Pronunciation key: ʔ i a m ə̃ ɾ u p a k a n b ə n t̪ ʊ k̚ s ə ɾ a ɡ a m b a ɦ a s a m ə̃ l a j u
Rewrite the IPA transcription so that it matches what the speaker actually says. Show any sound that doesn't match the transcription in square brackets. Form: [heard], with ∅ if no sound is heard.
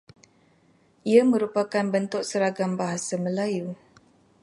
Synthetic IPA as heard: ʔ i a m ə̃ ɾ u p a k a n b ə n t̪ ʊ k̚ s ə ɾ a ɡ a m b a ɦ a s a m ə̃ l a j u